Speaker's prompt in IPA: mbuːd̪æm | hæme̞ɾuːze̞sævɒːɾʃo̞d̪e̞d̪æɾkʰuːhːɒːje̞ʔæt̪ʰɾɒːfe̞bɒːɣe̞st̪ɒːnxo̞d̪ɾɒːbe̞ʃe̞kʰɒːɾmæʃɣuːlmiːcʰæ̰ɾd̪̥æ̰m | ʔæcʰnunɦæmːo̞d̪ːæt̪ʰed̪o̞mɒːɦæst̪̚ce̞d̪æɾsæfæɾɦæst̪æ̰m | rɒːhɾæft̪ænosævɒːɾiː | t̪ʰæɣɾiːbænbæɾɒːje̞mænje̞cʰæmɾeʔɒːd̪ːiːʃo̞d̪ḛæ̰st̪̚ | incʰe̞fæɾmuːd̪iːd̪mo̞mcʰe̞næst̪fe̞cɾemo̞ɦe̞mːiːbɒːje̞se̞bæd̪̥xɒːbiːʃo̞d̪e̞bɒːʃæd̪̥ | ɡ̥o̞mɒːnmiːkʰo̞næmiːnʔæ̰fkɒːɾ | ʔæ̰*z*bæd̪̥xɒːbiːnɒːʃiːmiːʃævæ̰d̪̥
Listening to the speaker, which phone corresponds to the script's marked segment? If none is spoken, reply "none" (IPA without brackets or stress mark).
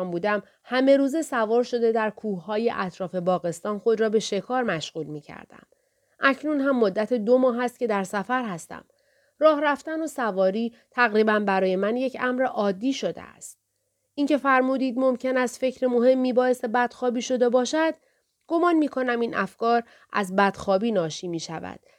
z